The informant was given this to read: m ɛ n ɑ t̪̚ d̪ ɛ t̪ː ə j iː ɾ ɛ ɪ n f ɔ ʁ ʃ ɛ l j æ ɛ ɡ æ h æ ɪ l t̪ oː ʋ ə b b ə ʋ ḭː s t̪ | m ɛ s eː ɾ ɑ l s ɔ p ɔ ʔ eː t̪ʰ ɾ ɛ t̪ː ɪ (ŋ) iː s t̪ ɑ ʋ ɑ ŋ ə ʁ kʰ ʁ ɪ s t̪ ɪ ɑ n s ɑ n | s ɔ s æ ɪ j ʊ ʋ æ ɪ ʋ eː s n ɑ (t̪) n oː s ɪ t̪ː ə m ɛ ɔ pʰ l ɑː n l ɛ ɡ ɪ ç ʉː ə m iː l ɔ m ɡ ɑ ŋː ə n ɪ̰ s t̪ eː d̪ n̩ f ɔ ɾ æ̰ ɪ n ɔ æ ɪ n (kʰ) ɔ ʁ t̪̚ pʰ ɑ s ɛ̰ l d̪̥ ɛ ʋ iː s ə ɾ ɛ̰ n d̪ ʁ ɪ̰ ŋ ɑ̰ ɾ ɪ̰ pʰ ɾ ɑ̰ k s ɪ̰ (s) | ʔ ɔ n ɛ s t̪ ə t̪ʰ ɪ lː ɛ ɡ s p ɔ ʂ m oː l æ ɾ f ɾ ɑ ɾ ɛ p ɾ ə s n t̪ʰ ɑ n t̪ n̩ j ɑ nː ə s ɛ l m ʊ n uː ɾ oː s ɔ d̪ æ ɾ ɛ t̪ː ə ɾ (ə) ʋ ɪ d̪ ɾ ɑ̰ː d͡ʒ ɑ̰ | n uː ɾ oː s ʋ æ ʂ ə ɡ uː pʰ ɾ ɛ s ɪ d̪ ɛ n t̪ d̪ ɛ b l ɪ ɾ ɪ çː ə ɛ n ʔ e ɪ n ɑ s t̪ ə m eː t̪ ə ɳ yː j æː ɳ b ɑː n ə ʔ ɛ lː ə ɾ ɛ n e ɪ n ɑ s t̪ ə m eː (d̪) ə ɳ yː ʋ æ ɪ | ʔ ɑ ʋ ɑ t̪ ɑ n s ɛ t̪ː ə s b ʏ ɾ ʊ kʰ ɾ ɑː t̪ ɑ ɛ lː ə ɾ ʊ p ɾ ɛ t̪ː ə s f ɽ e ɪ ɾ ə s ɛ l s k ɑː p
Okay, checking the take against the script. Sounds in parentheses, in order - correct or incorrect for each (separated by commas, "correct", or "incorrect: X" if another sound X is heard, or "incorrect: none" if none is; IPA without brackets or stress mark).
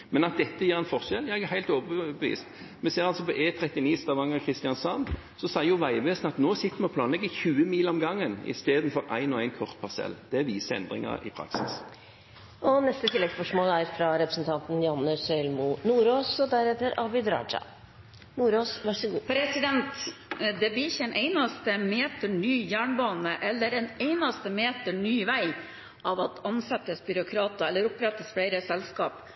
incorrect: n, correct, correct, correct, incorrect: ɑ, incorrect: t̪